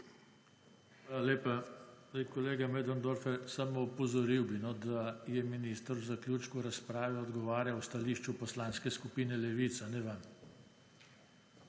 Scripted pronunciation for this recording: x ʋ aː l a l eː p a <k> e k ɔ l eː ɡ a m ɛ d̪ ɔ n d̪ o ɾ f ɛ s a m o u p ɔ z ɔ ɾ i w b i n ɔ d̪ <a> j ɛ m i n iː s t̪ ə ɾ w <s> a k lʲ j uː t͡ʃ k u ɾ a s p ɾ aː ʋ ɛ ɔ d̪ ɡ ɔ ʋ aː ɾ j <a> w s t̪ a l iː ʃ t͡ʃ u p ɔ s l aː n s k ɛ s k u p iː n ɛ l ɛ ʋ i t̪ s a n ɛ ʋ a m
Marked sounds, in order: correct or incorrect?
incorrect: none, correct, incorrect: z, correct

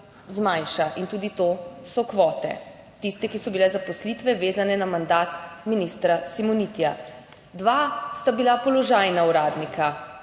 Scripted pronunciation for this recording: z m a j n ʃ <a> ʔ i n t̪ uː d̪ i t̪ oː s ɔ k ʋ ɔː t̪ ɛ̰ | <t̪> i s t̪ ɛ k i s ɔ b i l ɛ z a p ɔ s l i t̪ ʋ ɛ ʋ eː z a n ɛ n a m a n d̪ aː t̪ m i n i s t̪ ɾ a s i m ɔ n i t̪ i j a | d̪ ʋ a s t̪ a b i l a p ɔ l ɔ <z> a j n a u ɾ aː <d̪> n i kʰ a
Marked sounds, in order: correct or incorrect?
correct, correct, incorrect: ʒ, correct

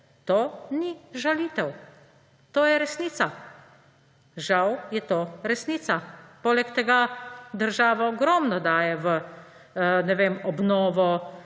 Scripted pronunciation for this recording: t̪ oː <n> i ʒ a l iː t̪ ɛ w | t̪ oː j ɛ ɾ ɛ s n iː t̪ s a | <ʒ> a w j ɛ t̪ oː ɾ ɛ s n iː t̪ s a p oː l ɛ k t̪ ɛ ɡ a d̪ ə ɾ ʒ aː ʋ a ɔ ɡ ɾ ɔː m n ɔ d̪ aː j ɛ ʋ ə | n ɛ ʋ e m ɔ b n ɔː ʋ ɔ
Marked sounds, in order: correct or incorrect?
correct, correct

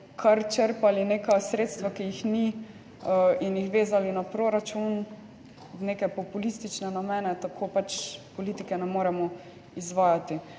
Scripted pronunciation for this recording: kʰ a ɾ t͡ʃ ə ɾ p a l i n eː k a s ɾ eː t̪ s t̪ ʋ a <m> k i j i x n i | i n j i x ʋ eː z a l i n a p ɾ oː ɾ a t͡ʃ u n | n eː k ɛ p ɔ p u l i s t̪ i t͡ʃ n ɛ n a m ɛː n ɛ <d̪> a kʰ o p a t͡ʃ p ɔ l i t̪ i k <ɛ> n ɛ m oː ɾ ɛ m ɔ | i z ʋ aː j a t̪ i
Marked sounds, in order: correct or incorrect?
incorrect: none, incorrect: t̪, correct

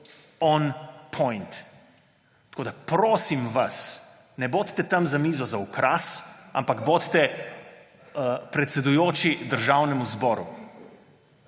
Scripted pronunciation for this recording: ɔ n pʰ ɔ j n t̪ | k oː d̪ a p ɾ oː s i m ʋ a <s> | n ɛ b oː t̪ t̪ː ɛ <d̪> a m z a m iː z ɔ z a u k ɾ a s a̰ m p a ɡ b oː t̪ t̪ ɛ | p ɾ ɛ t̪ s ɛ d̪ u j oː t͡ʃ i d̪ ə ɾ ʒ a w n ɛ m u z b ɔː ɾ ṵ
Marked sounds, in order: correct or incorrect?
correct, incorrect: t̪

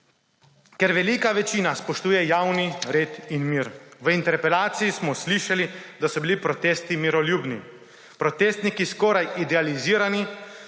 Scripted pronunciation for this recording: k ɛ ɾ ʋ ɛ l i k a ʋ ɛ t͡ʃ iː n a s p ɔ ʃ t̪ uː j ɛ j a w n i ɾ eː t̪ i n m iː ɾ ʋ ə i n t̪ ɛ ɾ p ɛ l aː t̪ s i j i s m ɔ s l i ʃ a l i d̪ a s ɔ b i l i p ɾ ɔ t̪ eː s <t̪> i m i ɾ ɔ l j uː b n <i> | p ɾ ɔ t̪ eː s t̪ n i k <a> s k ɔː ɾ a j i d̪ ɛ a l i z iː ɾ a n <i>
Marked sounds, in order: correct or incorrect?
correct, correct, incorrect: i, correct

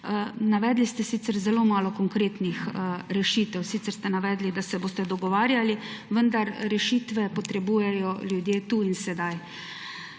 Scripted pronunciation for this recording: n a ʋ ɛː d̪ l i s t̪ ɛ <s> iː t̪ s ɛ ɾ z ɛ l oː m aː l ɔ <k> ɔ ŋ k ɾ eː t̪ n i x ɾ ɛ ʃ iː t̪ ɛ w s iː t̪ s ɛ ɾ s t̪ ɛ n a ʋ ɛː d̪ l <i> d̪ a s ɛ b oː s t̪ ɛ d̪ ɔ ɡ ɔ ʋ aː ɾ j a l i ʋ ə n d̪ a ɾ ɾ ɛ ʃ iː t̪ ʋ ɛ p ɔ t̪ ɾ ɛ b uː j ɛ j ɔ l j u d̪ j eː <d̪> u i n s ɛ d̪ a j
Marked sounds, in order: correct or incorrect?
correct, correct, correct, incorrect: t̪

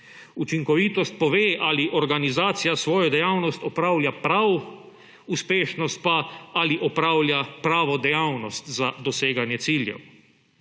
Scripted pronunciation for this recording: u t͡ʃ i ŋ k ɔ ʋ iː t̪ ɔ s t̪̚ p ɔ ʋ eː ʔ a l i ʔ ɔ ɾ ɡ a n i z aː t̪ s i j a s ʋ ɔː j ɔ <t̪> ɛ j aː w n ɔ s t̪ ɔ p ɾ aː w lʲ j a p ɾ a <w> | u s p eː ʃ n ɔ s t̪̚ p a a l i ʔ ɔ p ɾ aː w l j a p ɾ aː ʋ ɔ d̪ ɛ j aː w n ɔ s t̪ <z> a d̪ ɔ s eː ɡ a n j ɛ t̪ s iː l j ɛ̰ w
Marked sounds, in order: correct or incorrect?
incorrect: d̪, correct, correct

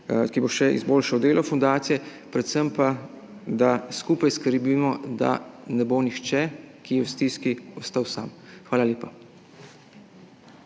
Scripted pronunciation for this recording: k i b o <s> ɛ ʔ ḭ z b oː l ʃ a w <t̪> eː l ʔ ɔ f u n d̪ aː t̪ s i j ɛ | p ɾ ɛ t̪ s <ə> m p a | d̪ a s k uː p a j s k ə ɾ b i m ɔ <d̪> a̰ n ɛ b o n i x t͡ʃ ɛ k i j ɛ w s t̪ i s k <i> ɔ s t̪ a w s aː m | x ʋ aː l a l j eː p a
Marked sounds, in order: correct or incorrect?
incorrect: ʃ, incorrect: d̪, correct, correct, correct

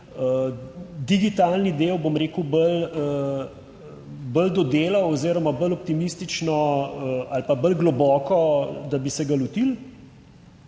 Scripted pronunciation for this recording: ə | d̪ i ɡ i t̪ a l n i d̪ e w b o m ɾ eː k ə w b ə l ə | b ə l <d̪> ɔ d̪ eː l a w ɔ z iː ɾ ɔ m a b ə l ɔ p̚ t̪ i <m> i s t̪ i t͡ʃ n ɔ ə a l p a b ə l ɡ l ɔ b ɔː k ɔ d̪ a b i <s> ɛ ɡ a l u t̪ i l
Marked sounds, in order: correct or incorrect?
correct, correct, correct

